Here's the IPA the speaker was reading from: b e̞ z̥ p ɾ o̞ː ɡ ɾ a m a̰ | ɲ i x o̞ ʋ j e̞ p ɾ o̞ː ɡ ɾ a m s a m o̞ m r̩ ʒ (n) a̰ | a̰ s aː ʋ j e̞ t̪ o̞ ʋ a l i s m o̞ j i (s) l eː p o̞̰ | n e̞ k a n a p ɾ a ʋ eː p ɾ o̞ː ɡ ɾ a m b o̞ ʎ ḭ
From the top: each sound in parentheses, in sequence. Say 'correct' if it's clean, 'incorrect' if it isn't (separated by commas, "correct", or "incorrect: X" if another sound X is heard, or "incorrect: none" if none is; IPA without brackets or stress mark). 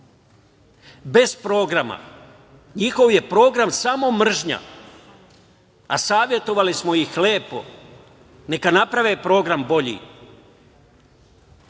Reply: incorrect: ɲ, incorrect: x